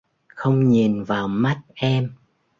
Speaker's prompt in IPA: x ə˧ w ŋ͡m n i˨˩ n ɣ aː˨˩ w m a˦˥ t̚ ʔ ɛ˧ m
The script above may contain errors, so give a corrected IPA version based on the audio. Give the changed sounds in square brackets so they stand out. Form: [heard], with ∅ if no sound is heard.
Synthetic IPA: x ə˧ w ŋ͡m [ɲ] i˨˩ n [v] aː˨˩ w m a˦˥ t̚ ʔ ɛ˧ m